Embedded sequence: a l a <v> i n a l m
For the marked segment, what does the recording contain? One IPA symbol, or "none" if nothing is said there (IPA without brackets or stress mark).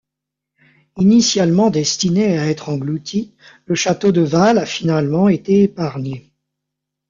f